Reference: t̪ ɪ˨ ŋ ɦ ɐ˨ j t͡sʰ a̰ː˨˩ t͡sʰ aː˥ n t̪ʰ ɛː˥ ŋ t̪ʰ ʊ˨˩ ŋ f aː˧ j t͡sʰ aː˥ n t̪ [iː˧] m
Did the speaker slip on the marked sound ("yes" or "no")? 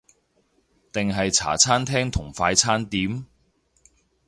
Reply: yes